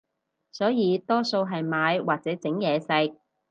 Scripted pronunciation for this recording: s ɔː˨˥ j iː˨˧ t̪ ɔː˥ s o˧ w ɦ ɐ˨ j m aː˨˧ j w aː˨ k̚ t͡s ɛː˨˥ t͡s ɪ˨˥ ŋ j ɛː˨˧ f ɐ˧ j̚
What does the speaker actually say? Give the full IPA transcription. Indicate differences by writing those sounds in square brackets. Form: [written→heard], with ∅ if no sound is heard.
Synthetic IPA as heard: s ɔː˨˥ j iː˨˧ t̪ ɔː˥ s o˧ w ɦ ɐ˨ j m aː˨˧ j w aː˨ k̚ t͡s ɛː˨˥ t͡s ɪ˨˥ ŋ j ɛː˨˧ [f→s] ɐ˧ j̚